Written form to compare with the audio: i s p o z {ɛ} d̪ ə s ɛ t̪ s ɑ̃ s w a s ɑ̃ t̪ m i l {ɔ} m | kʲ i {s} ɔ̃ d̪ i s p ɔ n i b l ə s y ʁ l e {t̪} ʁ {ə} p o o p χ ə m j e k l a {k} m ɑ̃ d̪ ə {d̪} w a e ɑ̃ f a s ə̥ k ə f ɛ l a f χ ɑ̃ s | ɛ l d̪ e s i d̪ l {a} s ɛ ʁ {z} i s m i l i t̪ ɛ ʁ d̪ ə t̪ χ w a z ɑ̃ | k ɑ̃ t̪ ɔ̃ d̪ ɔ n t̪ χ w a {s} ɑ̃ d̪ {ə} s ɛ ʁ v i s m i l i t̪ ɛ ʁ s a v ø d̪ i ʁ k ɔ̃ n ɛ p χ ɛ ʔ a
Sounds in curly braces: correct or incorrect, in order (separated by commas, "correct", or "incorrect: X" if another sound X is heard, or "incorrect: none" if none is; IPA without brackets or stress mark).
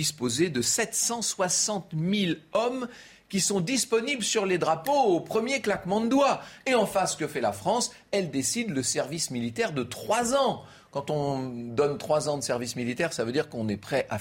incorrect: e, correct, correct, incorrect: d̪, incorrect: a, correct, correct, incorrect: ə, incorrect: v, incorrect: z, correct